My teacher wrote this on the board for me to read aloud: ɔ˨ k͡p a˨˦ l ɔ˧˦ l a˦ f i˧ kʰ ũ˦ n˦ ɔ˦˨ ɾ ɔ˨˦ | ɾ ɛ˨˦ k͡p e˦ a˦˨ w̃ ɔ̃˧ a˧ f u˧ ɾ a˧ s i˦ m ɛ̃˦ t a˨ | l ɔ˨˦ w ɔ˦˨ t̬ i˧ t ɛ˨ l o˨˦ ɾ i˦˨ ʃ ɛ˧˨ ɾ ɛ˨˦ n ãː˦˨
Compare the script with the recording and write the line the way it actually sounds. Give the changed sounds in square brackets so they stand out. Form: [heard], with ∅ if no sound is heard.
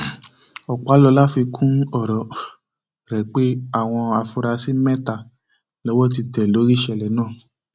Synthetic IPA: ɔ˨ k͡p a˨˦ l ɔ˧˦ l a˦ f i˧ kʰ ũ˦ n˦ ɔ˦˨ ɾ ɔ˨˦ | ɾ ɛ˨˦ k͡p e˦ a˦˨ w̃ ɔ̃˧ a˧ f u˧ ɾ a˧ s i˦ m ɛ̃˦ t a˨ | l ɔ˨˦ w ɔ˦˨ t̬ i˧ t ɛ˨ l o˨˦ ɾ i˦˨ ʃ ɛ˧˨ [l] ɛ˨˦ n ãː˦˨